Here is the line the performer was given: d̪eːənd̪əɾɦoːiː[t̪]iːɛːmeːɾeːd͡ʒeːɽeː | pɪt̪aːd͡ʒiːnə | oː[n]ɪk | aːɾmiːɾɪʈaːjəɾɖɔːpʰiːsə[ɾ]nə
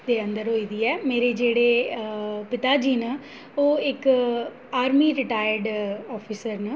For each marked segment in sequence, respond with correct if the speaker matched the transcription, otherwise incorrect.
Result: incorrect: d̪, incorrect: none, correct

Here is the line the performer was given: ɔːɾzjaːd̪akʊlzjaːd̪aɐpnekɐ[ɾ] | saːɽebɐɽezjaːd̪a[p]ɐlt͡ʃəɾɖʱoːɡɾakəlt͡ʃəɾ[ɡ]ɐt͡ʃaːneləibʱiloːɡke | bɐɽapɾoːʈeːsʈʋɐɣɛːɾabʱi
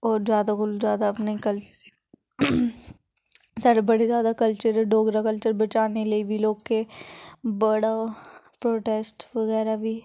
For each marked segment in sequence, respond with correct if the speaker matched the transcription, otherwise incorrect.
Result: incorrect: l, incorrect: k, incorrect: b

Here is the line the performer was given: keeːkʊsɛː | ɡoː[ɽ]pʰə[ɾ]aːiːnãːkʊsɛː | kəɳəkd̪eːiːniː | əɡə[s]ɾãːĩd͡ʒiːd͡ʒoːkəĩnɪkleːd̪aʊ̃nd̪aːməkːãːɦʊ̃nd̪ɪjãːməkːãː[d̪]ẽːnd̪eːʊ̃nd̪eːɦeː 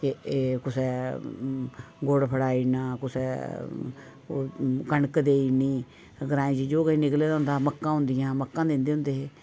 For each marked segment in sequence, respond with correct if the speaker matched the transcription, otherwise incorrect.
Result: correct, incorrect: ɽ, incorrect: none, correct

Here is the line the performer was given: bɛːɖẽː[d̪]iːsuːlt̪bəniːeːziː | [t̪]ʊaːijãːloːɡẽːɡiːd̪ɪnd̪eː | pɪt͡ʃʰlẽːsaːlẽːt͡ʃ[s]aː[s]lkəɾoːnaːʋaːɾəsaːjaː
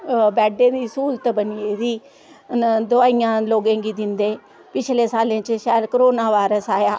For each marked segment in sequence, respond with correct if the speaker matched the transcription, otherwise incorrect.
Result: correct, incorrect: d̪, incorrect: ʃ, incorrect: none

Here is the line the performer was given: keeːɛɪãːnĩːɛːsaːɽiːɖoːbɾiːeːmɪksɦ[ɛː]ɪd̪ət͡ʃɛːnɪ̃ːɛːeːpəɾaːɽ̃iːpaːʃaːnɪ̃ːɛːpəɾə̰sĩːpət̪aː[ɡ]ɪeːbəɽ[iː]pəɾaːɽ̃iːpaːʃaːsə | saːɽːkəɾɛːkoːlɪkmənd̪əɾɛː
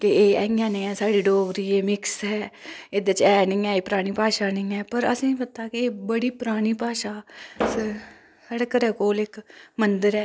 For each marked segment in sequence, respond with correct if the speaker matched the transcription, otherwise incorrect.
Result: correct, incorrect: k, correct

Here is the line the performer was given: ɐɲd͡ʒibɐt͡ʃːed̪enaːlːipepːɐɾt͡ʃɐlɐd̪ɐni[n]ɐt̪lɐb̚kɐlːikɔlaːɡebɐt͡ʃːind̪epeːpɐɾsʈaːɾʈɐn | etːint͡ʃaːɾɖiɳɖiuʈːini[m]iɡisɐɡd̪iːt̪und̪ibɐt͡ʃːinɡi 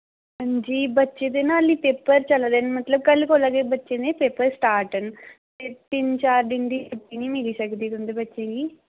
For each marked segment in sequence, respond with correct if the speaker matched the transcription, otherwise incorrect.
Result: incorrect: m, correct

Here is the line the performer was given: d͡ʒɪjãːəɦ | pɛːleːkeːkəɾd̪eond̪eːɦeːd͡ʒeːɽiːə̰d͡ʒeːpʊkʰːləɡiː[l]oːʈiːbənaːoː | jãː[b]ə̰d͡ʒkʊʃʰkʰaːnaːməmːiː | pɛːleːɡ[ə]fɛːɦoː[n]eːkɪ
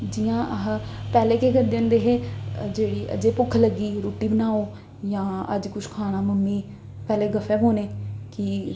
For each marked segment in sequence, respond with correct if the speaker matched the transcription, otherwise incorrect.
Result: incorrect: ɾ, incorrect: none, correct, correct

